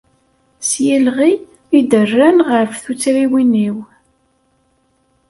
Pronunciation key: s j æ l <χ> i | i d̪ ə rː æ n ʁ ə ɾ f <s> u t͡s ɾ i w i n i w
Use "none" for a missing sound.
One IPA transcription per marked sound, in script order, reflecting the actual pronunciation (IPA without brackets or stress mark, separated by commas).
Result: ʁ, θ